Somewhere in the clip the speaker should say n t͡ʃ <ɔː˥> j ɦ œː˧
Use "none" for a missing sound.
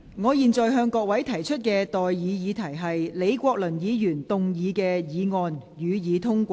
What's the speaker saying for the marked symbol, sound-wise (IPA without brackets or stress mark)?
ɔː˨